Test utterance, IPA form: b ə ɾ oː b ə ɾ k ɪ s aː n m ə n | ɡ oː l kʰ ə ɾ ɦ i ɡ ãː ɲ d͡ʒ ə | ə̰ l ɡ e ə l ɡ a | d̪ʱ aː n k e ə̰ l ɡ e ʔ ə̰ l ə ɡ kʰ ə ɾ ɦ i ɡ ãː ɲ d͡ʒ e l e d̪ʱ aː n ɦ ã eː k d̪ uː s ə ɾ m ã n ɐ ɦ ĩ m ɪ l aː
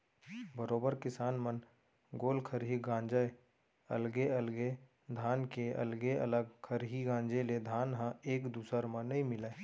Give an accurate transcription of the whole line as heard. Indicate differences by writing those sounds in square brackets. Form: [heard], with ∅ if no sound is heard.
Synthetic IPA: b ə ɾ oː b ə ɾ k ɪ s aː n m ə n | ɡ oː l kʰ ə ɾ ɦ i ɡ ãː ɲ d͡ʒ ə | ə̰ l ɡ e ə l ɡ [e] | d̪ʱ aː n k e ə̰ l ɡ e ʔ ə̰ l ə ɡ kʰ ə ɾ ɦ i ɡ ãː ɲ d͡ʒ e l e d̪ʱ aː n ɦ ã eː k d̪ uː s ə ɾ m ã n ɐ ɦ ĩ m ɪ l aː